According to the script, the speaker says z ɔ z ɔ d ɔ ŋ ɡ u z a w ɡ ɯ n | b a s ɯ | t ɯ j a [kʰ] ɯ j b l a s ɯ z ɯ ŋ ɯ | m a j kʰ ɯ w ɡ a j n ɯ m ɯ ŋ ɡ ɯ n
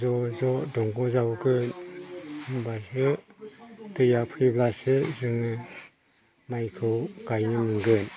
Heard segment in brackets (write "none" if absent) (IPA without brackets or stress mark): pʰ